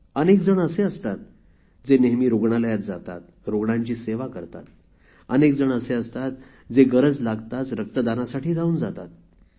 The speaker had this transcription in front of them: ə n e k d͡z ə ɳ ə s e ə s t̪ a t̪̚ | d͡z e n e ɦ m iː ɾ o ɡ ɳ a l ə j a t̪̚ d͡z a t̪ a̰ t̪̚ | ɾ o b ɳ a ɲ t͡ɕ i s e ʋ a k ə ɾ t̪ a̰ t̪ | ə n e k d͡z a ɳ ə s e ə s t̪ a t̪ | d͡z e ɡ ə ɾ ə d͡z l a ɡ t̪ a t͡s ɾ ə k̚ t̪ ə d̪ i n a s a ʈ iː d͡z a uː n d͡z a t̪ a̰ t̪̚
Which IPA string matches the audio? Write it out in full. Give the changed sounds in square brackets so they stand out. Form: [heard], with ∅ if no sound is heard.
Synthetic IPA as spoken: ə n e k d͡z ə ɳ ə s e ə s t̪ a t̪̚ | d͡z e n e ɦ m iː ɾ o ɡ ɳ a l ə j a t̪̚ d͡z a t̪ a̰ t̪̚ | ɾ o [ɡ] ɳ a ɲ t͡ɕ [iː] s e ʋ a k ə ɾ t̪ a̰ t̪ | ə n e k d͡z [ə] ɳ ə s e ə s t̪ a t̪ | d͡z e ɡ ə ɾ ə d͡z l a ɡ t̪ a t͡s ɾ ə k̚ t̪ ə d̪ [a] n a s a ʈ iː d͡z a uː n d͡z a t̪ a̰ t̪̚